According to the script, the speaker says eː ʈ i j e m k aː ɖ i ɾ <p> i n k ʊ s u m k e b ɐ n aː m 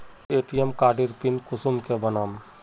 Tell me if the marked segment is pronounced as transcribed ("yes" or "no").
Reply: yes